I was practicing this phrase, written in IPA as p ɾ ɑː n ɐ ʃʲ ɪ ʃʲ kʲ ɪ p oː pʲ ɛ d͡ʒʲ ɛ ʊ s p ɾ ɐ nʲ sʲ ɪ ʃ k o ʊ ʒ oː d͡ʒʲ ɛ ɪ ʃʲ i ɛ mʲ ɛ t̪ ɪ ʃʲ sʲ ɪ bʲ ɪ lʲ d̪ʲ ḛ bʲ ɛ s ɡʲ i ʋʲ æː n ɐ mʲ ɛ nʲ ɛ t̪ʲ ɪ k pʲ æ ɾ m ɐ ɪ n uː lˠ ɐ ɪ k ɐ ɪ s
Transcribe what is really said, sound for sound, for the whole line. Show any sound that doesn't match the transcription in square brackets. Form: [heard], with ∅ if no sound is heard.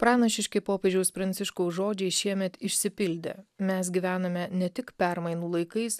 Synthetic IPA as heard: p ɾ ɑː n ɐ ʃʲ ɪ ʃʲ kʲ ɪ p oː pʲ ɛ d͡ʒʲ ɛ ʊ s p ɾ ɐ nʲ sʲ ɪ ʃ k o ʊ ʒ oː d͡ʒʲ ɛ ɪ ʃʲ i ɛ mʲ ɛ t̪ ɪ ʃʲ sʲ ɪ [pʲ] ɪ lʲ d̪ʲ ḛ [mʲ] ɛ s ɡʲ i ʋʲ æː n ɐ mʲ ɛ nʲ ɛ t̪ʲ ɪ k pʲ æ ɾ m ɐ ɪ n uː lˠ ɐ ɪ k ɐ ɪ s